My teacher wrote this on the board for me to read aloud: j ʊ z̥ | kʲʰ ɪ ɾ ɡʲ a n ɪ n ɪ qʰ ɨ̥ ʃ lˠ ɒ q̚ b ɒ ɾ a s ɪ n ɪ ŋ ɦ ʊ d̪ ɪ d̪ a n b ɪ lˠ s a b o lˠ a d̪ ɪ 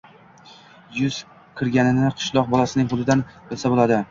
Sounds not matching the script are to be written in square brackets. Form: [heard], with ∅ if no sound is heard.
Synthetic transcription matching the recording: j ʊ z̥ | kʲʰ ɪ ɾ ɡʲ a n ɪ n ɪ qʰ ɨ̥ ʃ lˠ ɒ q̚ b ɒ [l] a s ɪ n ɪ ŋ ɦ ʊ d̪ ɪ d̪ a n b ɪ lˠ s a b o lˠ a d̪ ɪ